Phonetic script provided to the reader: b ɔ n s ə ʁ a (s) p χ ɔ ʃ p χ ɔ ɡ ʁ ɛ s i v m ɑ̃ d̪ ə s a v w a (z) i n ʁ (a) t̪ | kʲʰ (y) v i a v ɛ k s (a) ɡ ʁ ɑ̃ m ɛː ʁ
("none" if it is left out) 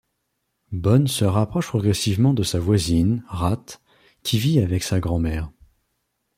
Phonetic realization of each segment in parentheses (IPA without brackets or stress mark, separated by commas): none, z, a, i, a